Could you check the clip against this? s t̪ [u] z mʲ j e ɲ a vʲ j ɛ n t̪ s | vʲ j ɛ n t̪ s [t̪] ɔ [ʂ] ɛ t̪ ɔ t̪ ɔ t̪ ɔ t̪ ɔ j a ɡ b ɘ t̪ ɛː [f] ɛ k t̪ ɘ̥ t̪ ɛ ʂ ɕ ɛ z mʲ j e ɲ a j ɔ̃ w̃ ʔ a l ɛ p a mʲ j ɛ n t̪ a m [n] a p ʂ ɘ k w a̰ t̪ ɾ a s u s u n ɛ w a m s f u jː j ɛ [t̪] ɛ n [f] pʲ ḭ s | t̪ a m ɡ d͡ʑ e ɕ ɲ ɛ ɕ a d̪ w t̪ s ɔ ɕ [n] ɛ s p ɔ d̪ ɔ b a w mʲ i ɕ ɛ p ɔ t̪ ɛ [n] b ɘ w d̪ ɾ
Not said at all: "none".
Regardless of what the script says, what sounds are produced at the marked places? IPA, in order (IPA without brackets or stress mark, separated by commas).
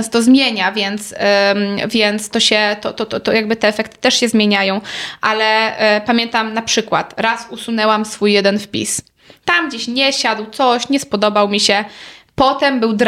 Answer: ɔ, t̪, ɕ, f, n, d̪, f, ɲ, m